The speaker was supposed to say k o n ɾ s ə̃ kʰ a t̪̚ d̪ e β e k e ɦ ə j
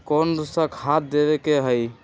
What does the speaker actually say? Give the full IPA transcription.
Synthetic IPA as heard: k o n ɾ s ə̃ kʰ a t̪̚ d̪ e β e k e ɦ ə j